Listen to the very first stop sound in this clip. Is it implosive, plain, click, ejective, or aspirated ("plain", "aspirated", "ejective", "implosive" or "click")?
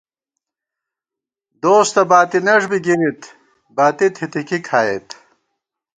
plain